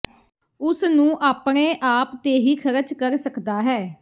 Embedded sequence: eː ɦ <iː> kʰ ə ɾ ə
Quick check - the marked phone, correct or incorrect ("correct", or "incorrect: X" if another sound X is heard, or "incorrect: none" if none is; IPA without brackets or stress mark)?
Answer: correct